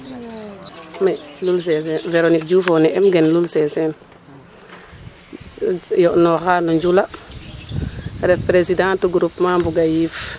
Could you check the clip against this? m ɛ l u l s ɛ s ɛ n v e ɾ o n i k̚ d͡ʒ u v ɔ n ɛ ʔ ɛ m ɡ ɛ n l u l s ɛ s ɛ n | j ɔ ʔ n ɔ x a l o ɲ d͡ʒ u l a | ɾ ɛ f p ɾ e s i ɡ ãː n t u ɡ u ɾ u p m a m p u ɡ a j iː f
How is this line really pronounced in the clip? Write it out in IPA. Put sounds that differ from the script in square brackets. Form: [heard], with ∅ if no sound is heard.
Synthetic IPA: m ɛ l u l s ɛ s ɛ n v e ɾ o n i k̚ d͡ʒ u [f] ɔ n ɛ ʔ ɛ m ɡ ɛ n l u l s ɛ s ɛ n | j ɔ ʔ n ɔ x a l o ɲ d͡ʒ u l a | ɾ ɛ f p ɾ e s i [d] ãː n t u ɡ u ɾ u p m a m [b] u ɡ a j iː f